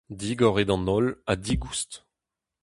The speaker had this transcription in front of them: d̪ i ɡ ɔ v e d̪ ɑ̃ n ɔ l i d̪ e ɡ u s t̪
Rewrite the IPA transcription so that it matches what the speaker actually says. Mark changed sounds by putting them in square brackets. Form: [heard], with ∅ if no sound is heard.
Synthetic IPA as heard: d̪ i ɡ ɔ [ʁ] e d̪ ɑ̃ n ɔ l [a] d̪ [i] ɡ u s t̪